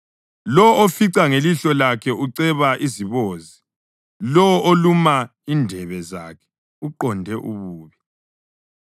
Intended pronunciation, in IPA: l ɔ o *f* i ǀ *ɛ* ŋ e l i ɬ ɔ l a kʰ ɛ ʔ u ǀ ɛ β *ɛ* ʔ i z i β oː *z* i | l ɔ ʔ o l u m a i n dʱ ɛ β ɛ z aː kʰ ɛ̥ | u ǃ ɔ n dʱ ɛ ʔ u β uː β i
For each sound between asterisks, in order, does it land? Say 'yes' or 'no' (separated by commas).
yes, no, no, yes